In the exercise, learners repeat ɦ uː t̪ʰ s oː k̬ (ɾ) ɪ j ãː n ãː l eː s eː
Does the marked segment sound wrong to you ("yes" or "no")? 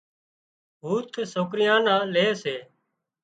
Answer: no